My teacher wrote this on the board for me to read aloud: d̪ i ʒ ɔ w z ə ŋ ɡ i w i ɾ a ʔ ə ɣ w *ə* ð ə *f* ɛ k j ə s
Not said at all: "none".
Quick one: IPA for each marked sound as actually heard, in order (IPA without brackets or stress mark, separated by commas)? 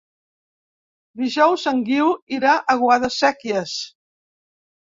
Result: a, s